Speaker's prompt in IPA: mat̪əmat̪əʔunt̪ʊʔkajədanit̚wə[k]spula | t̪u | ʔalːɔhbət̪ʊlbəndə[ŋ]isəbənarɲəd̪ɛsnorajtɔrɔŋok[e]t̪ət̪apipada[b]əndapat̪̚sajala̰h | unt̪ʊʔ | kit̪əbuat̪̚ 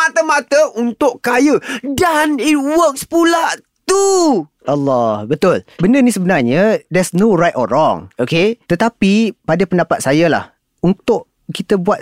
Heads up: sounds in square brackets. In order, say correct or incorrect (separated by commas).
correct, incorrect, correct, incorrect